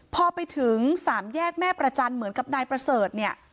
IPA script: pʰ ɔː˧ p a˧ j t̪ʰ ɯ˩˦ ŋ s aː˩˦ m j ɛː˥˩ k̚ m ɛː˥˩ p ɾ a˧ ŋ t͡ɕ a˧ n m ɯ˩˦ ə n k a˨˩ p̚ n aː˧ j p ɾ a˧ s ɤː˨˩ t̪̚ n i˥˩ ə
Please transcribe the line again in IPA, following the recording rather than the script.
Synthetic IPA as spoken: pʰ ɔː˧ p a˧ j t̪ʰ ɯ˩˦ ŋ s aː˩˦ m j ɛː˥˩ k̚ m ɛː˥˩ p ɾ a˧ t͡ɕ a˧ n m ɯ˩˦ ə n k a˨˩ p̚ n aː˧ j p ɾ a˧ s ɤː˨˩ t̪̚ n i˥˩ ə

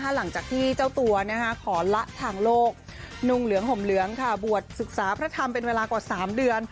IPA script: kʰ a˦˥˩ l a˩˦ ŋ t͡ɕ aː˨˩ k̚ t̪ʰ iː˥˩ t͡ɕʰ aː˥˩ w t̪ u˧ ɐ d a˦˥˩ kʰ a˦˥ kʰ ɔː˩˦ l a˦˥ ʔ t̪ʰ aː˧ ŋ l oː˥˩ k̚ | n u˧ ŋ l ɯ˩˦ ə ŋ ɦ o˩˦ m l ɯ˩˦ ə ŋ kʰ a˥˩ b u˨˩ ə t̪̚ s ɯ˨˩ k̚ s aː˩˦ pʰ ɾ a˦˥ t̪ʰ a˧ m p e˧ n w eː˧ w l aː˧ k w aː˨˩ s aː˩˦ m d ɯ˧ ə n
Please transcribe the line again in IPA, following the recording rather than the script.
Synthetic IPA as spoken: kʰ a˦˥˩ l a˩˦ ŋ t͡ɕ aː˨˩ k̚ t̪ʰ iː˥˩ t͡ɕ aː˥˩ w t̪ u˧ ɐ n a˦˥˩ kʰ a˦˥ kʰ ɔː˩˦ l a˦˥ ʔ t̪ʰ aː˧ ŋ l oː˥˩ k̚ | n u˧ ŋ l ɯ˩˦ ə ŋ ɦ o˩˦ m l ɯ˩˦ ə ŋ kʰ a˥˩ b u˨˩ ə t̪̚ s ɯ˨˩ k̚ s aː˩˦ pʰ ɾ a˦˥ t̪ʰ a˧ m p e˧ n w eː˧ l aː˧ k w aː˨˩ s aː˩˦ m d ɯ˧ ə n

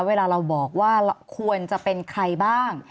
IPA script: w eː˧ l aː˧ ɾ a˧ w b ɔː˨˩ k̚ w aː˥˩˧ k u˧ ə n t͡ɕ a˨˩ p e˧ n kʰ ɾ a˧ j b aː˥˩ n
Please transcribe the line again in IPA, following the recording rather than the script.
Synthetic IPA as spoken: w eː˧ l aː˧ ɾ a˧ w b ɔː˨˩ k̚ w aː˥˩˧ kʰ u˧ ə n t͡ɕ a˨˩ p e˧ n kʰ ɾ a˧ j b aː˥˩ ŋ

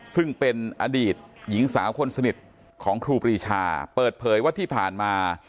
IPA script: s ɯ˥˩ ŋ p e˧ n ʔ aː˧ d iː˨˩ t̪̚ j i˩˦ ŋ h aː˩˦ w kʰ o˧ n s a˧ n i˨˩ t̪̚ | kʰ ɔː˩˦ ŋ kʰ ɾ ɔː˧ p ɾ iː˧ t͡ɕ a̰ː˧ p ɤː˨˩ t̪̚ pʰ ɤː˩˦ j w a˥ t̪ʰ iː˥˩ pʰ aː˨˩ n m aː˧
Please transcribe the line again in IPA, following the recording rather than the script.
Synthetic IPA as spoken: s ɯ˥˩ ŋ p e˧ n ʔ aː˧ d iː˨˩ t̪̚ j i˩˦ ŋ s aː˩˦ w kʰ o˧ n s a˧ n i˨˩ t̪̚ | kʰ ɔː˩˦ ŋ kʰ ɾ uː˧ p ɾ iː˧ t͡ɕʰ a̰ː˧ p ɤː˨˩ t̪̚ pʰ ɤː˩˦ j w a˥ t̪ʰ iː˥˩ pʰ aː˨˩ n m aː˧

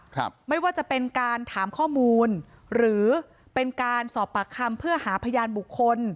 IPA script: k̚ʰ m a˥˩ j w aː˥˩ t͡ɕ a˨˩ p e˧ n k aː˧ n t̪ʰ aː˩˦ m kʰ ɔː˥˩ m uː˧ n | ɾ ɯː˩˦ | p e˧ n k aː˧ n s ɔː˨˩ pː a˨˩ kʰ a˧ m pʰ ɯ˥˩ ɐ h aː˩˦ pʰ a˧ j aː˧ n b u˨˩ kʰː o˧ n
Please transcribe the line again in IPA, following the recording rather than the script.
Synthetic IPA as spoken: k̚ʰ m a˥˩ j w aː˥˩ t͡ɕ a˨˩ p e˧ n k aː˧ n t̪ʰ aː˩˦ m kʰ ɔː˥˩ m uː˧ n | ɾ ɯː˩˦ | p e˧ n k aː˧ n s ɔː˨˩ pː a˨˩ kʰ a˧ m pʰ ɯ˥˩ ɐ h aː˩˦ pʰ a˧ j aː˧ n b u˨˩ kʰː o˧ n

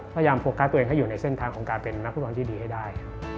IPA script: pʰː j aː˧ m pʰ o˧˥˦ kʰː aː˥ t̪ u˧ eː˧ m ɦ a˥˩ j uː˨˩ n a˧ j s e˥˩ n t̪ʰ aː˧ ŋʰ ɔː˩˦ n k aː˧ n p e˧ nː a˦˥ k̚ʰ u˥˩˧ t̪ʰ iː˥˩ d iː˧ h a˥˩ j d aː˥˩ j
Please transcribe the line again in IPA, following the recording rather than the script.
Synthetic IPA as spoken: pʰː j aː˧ m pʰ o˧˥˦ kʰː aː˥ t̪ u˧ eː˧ ŋ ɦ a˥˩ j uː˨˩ n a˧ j s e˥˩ n t̪ʰ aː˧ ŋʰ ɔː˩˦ ŋ k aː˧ n p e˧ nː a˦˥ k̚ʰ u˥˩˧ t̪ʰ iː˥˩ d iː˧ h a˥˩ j d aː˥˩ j

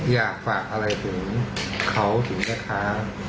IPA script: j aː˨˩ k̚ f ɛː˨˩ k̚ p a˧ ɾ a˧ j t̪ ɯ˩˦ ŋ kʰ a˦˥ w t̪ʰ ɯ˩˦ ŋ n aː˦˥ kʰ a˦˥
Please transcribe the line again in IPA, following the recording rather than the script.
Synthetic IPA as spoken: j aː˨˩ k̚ f aː˨˩ k̚ ʔ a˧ ɾ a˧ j t̪ʰ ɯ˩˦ ŋ kʰ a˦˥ w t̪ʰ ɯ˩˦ ŋ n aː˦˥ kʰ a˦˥

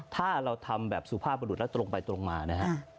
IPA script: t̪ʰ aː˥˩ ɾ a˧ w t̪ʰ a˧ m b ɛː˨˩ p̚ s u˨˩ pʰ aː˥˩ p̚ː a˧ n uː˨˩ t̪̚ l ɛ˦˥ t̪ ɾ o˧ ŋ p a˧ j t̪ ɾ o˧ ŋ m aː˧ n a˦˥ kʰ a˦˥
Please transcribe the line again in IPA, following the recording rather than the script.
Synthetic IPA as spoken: t̪ʰ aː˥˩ ɾ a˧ w t̪ʰ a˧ m b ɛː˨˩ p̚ s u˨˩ pʰ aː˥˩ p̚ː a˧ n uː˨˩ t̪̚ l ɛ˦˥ t̪ ɾ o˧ ŋ p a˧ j t̪ ɾ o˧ ŋ m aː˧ n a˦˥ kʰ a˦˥

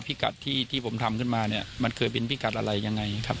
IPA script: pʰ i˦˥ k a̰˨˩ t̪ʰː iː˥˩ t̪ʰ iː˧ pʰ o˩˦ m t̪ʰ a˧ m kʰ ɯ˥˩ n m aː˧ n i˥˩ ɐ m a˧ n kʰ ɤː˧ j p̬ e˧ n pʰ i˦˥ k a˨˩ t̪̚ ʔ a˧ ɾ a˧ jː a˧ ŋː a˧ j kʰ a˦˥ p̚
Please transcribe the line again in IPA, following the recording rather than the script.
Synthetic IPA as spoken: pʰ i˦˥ k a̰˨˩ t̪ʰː iː˥˩ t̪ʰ iː˥˩ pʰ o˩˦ m t̪ʰ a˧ m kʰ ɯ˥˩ n m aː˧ n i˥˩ ɐ m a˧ n kʰ ɤː˧ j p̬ e˧ n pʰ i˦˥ k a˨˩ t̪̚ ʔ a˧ ɾ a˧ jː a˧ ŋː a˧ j kʰ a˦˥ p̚

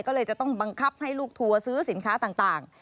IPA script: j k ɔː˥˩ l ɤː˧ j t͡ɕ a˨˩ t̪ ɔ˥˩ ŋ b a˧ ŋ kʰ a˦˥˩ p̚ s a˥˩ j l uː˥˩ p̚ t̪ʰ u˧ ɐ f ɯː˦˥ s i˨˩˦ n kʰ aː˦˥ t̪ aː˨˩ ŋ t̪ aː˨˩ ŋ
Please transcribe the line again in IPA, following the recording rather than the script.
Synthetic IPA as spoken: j k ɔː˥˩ l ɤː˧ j t͡ɕ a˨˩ t̪ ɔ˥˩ ŋ b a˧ ŋ kʰ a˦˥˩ p̚ h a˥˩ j l uː˥˩ k̚ t̪ʰ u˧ ɐ s ɯː˦˥ s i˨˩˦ n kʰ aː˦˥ t̪ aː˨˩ ŋ t̪ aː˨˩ ŋ

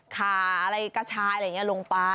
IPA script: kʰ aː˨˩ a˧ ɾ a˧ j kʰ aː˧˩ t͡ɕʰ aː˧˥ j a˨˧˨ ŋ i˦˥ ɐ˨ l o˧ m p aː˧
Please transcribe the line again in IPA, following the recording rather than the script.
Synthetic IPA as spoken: kʰ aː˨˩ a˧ ɾ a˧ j k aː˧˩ t͡ɕʰ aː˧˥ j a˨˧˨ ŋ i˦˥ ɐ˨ l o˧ ŋ p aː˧

